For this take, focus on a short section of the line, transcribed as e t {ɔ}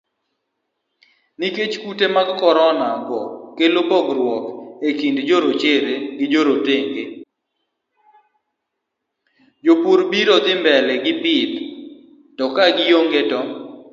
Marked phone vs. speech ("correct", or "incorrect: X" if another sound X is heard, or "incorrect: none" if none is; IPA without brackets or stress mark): correct